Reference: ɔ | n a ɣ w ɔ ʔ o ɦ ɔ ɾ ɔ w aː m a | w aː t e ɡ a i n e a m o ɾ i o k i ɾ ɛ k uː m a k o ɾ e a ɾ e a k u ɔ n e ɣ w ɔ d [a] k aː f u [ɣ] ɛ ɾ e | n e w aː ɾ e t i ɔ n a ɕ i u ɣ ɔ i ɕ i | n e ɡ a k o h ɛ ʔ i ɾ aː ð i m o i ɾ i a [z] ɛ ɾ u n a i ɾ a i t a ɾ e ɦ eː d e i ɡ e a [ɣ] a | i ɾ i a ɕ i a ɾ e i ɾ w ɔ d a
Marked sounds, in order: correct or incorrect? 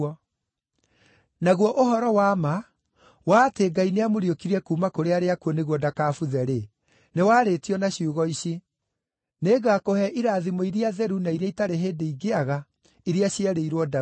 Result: correct, incorrect: ð, incorrect: ð, correct

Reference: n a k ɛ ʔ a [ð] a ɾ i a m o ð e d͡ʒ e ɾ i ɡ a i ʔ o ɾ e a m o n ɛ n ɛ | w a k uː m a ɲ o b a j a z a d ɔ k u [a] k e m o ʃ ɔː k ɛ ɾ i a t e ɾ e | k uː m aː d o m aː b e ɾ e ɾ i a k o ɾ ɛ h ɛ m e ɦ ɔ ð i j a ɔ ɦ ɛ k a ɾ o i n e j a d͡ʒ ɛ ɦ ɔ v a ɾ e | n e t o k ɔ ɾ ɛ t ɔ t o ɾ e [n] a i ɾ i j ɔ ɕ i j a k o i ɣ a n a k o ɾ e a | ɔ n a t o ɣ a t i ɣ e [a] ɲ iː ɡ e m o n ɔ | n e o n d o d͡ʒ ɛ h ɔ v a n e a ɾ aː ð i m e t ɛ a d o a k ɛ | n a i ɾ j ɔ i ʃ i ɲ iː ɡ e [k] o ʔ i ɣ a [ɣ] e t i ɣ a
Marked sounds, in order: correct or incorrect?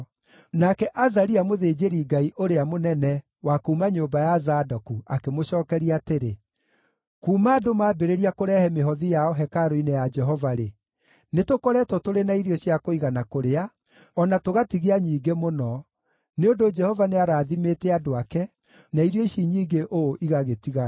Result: incorrect: z, correct, correct, correct, incorrect: ʔ, correct

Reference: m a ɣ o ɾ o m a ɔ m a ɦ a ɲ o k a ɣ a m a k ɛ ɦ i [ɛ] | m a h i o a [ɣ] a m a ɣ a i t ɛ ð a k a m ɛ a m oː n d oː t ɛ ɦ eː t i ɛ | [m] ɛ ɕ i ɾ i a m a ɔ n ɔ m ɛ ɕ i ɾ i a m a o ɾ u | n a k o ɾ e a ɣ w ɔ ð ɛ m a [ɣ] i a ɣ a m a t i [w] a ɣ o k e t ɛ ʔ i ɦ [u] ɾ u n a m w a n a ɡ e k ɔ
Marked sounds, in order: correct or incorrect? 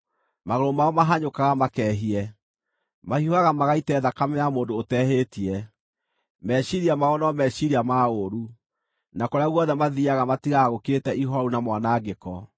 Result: correct, correct, correct, incorrect: ð, incorrect: ɣ, incorrect: ɔ

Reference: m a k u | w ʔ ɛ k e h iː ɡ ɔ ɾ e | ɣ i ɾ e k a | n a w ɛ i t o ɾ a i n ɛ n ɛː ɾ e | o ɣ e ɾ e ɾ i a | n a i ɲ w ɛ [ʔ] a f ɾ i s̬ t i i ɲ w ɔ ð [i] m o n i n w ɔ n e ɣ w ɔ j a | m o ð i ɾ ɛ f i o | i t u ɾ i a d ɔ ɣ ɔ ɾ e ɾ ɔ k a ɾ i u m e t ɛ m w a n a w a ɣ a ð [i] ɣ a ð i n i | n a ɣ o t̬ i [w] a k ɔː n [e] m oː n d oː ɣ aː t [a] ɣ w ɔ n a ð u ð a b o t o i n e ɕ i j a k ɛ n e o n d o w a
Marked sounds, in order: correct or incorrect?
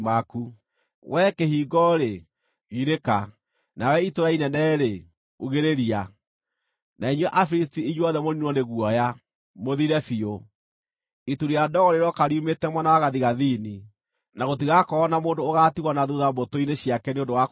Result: correct, incorrect: ɛ, correct, incorrect: ɣ, incorrect: a, incorrect: i

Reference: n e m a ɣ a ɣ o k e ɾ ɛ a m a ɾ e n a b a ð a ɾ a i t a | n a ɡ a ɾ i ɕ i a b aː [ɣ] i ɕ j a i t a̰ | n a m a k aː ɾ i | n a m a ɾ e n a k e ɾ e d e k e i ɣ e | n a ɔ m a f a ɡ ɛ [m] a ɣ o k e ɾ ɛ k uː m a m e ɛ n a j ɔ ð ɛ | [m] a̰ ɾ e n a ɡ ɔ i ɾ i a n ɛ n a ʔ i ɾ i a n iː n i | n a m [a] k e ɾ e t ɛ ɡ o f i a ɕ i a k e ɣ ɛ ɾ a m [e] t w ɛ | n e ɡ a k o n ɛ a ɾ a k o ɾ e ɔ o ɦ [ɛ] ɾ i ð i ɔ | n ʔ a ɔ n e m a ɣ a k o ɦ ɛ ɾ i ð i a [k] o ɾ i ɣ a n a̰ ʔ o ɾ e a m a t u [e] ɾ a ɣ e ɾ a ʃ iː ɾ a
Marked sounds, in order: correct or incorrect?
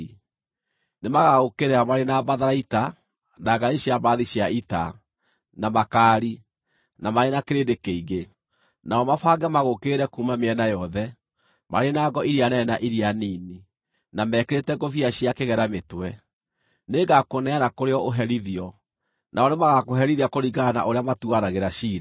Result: incorrect: ð, correct, correct, incorrect: ɛ, correct, correct, correct, incorrect: a

